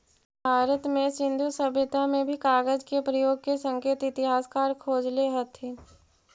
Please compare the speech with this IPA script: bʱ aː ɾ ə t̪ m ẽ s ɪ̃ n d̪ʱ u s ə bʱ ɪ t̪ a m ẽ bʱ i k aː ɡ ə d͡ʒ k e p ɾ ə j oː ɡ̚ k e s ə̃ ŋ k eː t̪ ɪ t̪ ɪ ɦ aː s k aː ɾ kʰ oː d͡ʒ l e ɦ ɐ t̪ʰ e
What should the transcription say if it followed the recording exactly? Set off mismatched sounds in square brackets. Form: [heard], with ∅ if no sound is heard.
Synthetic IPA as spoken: bʱ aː ɾ ə t̪ m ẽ s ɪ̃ n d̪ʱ u s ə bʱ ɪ t̪ a m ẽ bʱ i k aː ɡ ə d͡ʒ k e p ɾ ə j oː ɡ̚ k e s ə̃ ŋ k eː t̪ ɪ t̪ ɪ ɦ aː s k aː ɾ kʰ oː d͡ʒ l e ɦ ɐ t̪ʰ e